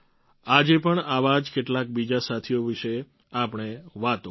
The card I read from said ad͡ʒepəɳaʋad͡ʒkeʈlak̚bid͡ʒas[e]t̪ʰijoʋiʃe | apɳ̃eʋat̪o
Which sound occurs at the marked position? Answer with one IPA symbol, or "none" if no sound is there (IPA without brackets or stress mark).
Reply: a